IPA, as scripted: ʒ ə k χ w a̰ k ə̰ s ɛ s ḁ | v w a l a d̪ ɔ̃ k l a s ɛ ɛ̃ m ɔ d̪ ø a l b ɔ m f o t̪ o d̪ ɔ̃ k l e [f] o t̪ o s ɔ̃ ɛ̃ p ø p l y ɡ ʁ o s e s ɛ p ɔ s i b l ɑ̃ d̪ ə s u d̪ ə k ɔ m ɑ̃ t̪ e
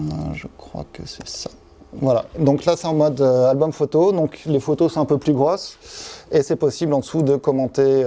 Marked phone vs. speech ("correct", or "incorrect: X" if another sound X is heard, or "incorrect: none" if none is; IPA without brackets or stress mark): correct